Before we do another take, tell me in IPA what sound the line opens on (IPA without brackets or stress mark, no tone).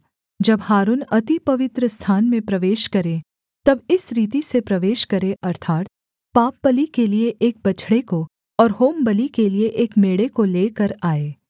d͡ʒ